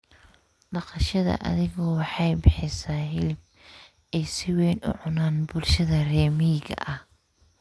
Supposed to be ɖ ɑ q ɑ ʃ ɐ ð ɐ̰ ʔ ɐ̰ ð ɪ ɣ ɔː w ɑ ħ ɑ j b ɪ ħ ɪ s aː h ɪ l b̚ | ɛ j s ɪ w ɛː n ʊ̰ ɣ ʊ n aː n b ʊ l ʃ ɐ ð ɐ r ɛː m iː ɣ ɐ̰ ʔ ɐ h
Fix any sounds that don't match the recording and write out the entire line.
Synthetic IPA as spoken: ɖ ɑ q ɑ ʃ ɐ ð ɐ̰ ʔ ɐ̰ ð ɪ ɣ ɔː w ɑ ħ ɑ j b ɪ ħ ɪ s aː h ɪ l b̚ | ɛ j s ɪ w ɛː n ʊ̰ ʕ ʊ n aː n b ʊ l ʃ ɐ ð ɐ r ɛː m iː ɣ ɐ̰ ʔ ɐ h

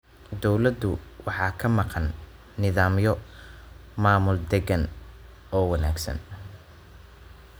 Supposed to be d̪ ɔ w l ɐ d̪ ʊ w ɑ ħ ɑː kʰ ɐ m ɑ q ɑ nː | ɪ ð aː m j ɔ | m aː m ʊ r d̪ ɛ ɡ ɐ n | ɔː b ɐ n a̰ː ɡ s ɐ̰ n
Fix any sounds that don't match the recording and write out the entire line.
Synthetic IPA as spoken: d̪ ɔ w l ɐ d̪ ʊ w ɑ ħ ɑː kʰ ɐ m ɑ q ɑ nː | ɪ ð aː m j ɔ | m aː m ʊ l d̪ ɛ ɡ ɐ n | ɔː w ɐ n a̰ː ɡ s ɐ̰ n

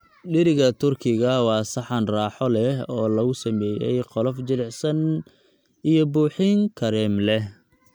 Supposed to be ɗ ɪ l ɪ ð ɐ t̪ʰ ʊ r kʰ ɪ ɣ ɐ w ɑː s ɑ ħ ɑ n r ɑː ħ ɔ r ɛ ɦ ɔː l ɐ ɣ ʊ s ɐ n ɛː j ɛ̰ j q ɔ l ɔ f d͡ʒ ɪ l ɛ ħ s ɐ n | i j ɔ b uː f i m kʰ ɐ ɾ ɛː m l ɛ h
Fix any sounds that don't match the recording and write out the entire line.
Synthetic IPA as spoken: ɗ ɪ ɾ ɪ ɣ ɐ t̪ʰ ʊ r kʰ ɪ ɣ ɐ w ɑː s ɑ ħ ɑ n r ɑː ħ ɔ l ɛ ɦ ɔː l ɐ ɣ ʊ s ɐ m ɛː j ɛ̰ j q ɔ l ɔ f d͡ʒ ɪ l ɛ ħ s ɐ n | i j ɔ b uː ħ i ŋ kʰ ɐ ɾ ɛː m l ɛ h

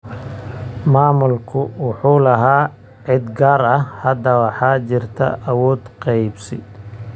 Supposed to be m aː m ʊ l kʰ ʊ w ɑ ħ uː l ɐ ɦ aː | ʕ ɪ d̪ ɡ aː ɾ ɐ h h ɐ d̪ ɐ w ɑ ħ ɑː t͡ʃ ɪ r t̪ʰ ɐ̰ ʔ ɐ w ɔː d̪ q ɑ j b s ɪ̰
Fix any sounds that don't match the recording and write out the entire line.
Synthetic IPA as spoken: m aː m ʊ l kʰ ʊ w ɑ ħ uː l ɐ ɦ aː | ʕ ɪ d̪ ɡ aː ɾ ɐ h h ɐ d̪ ɐ w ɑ ħ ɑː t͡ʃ ɪ r t̪ʰ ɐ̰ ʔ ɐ w ɔː d̪ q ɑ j b s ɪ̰

